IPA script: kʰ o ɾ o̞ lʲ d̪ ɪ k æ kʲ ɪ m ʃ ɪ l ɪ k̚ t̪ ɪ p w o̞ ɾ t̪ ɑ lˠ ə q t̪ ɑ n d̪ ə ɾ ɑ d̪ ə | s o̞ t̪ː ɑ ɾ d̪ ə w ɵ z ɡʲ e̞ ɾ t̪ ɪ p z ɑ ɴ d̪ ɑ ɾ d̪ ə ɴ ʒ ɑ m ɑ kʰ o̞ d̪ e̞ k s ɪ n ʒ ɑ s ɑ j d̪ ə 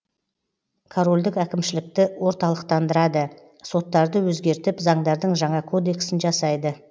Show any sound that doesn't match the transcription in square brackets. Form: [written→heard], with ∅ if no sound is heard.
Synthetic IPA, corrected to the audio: kʰ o ɾ o̞ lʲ d̪ ɪ k æ kʲ ɪ m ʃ ɪ l ɪ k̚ t̪ ɪ [p→∅] w o̞ ɾ t̪ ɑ lˠ ə q t̪ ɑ n d̪ ə ɾ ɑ d̪ ə | s o̞ t̪ː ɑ ɾ d̪ ə w ɵ z ɡʲ e̞ ɾ t̪ ɪ p z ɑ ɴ d̪ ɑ ɾ d̪ ə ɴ ʒ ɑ [m→ɴ] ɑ kʰ o̞ d̪ e̞ k s ɪ n ʒ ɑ s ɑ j d̪ ə